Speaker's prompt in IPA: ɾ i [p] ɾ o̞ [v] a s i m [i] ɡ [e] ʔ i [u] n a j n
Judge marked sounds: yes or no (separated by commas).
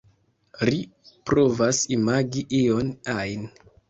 yes, yes, no, no, no